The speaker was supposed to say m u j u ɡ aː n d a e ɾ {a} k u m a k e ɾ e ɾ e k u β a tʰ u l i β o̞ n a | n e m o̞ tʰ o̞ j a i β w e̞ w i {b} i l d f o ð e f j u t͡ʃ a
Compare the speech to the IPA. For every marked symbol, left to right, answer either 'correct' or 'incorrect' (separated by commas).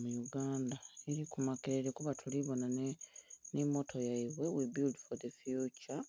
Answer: incorrect, correct